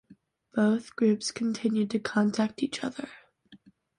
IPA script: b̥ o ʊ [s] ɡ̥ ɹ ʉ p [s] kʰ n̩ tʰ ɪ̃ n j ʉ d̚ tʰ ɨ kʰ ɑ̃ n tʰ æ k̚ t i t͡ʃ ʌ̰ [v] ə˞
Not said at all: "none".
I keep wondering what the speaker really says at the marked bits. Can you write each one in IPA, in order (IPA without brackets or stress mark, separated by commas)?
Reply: θ, s, ð